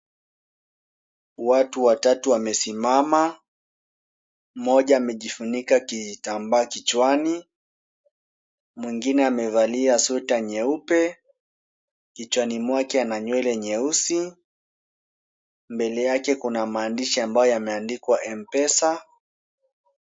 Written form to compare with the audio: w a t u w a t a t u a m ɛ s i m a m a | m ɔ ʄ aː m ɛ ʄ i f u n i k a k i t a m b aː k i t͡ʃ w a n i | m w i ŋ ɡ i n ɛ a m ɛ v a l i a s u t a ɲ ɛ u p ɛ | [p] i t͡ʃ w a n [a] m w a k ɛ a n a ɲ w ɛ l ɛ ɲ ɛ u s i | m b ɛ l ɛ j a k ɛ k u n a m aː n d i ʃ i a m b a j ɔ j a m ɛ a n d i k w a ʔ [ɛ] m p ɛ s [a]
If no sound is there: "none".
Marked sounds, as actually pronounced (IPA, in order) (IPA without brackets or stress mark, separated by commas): k, i, ɛ, a